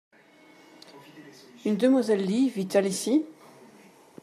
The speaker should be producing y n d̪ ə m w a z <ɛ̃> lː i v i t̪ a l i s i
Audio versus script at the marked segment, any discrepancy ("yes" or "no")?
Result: yes